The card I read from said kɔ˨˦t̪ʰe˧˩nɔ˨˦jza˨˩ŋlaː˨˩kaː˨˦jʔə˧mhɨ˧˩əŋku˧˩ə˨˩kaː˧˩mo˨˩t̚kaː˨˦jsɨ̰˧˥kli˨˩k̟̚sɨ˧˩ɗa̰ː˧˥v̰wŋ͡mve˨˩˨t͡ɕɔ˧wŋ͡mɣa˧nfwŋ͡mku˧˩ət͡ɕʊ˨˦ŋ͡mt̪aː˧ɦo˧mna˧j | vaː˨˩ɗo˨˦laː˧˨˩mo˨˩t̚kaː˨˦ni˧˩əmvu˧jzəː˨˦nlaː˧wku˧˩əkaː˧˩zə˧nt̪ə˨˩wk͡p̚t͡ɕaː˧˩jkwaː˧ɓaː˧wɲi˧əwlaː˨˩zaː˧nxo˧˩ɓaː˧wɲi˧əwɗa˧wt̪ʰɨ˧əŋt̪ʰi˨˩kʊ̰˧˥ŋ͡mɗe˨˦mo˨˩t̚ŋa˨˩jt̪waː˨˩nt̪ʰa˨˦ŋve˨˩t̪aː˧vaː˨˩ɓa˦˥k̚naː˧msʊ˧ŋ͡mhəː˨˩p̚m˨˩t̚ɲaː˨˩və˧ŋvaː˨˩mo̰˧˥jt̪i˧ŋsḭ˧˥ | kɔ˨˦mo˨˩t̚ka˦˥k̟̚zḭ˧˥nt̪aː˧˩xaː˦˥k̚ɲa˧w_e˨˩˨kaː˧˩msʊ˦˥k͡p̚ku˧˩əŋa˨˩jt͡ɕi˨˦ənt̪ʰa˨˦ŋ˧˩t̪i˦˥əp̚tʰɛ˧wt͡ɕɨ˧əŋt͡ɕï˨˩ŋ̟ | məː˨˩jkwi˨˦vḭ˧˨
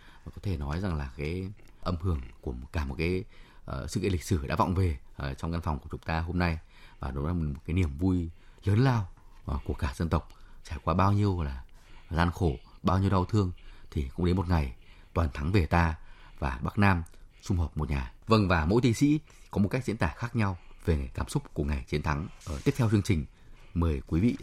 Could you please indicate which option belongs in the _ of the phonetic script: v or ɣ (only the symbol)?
v